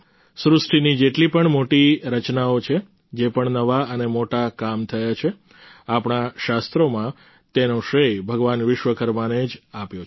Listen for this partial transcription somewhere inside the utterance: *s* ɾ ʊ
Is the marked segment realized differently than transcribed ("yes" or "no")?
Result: no